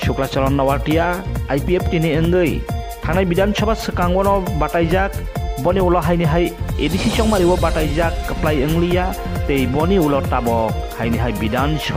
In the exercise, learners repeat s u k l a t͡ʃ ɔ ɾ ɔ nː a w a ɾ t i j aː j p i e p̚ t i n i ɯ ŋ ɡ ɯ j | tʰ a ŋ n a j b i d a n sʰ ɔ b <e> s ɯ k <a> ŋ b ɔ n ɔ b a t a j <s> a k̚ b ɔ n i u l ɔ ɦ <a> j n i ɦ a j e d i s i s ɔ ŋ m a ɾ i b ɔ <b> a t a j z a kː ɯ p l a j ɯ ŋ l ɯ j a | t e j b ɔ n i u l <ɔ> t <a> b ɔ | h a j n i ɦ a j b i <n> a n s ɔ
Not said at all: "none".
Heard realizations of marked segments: a, a, z, a, b, ɔ, a, d

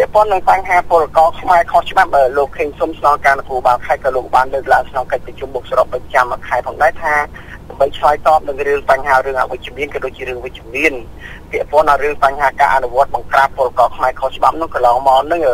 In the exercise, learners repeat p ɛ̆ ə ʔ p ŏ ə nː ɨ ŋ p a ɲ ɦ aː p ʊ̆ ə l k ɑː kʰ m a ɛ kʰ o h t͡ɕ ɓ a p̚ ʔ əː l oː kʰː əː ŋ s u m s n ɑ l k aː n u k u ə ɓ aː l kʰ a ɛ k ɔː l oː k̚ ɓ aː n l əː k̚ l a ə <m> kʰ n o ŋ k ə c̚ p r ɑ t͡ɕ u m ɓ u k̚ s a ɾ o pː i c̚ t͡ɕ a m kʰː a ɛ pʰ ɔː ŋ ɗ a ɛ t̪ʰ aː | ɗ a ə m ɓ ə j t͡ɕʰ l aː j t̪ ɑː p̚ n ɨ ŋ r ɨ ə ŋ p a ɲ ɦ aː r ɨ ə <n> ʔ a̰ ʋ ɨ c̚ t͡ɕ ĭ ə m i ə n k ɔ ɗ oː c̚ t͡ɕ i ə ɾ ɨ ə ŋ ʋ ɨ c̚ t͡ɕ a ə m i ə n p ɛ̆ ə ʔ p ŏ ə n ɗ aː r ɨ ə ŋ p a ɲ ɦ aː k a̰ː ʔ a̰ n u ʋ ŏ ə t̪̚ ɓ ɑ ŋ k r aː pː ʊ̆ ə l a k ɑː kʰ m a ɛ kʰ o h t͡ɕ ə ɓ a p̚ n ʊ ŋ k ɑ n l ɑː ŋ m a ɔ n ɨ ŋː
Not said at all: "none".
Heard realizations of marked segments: ŋ, ŋ

